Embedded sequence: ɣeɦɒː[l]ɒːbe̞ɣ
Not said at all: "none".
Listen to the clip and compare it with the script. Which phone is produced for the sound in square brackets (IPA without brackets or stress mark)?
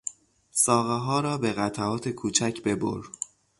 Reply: ɾ